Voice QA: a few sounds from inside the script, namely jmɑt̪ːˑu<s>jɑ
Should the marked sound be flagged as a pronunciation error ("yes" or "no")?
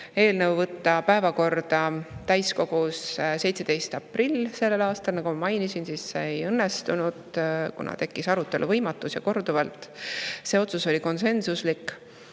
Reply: no